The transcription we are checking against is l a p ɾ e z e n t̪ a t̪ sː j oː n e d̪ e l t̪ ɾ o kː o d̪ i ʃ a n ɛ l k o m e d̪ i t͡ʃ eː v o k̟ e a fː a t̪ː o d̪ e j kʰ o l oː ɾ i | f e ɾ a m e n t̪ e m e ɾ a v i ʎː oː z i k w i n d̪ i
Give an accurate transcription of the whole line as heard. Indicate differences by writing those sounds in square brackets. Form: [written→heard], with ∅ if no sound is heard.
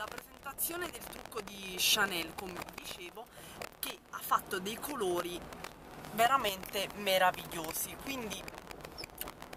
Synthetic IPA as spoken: l a p ɾ e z e n t̪ a t̪ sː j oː n e d̪ e l t̪ ɾ [o→u] kː o d̪ i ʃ a n ɛ l k o m e d̪ i t͡ʃ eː v o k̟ e a fː a t̪ː o d̪ e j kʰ o l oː ɾ i | [f→v] e ɾ a m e n t̪ e m e ɾ a v i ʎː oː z i k w i n d̪ i